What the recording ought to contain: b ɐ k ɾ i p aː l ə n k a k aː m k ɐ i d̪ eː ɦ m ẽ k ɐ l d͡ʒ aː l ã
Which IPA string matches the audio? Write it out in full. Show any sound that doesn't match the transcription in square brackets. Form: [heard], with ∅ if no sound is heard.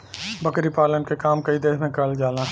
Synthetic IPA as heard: b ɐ k ɾ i p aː l ə n k [e] k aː m k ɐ i d̪ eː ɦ m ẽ k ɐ l d͡ʒ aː l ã